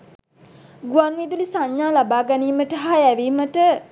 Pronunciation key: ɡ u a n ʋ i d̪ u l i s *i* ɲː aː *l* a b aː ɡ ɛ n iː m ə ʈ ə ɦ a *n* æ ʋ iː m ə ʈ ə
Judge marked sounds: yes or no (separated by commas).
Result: no, yes, no